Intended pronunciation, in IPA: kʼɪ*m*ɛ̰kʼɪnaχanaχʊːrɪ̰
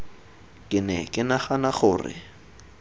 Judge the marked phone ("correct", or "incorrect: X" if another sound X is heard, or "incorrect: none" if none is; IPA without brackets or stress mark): incorrect: n